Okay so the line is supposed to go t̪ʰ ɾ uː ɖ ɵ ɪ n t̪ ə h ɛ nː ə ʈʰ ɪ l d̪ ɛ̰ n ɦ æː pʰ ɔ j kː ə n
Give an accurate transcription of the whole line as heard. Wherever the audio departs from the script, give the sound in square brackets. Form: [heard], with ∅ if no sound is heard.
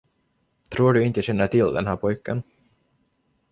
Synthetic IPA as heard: t̪ʰ ɾ uː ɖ ɵ ɪ n t̪ ə [ɕ] ɛ nː ə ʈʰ ɪ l d̪ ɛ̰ n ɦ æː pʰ ɔ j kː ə n